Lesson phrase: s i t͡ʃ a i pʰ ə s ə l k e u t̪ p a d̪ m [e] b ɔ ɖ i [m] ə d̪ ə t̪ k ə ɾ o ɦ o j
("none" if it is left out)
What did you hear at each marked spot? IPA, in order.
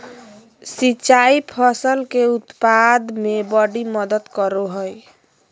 e, m

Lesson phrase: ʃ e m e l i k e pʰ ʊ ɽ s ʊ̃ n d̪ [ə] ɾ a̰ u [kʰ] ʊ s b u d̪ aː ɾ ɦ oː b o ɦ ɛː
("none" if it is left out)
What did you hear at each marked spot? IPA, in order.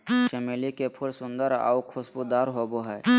ə, kʰ

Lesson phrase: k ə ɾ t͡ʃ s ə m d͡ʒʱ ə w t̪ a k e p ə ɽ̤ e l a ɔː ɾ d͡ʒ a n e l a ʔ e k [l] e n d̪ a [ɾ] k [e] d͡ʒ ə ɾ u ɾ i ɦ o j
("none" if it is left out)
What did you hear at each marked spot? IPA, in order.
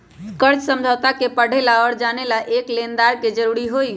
l, ɾ, e

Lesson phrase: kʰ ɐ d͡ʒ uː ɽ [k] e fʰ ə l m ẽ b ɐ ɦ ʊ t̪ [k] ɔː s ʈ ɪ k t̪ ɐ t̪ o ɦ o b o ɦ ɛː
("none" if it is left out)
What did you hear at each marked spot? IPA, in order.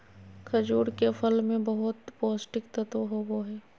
k, p

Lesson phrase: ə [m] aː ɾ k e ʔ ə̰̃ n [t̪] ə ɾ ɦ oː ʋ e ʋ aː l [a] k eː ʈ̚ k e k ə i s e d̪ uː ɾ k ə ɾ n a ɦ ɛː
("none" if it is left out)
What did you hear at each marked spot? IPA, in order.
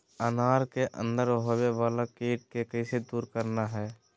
n, d̪, a

